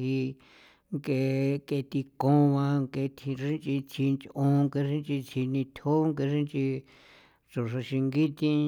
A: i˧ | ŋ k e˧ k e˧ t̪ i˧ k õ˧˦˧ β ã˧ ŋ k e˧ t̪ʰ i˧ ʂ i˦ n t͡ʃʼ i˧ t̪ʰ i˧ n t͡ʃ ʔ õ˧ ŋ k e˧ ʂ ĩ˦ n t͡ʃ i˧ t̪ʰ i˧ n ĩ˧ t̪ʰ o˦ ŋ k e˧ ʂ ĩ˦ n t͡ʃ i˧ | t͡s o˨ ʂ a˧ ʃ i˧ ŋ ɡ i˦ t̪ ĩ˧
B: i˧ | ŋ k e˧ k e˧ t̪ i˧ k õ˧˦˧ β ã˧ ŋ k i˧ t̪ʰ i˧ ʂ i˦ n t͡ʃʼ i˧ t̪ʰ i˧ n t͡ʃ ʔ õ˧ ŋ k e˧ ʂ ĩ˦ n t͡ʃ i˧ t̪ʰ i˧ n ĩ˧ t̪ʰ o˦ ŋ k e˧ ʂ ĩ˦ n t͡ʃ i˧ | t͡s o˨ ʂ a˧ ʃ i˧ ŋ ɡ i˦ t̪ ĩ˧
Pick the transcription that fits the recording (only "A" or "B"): A